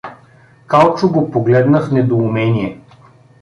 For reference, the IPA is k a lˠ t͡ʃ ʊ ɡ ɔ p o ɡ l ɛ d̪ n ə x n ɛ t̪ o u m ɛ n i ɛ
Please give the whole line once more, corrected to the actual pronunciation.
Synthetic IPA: k a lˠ t͡ʃ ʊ ɡ o p o ɡ l ɛ d̪ n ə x n ɛ d̪ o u m ɛ n i ɛ